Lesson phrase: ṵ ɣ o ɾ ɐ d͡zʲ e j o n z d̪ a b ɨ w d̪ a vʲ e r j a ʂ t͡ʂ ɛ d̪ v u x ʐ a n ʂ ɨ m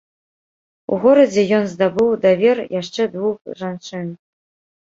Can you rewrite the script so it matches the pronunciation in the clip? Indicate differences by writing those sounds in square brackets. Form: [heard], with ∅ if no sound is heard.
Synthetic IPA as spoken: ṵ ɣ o ɾ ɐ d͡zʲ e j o n z d̪ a b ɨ w d̪ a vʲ e r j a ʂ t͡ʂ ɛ d̪ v u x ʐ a n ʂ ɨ [n]